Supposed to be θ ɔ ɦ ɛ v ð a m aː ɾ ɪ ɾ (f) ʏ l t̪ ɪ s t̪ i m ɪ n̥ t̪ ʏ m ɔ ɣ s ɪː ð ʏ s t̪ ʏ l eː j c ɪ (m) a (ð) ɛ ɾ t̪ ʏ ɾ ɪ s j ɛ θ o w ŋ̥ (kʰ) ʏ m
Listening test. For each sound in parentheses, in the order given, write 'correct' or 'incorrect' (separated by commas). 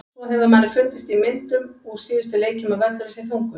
correct, correct, incorrect, incorrect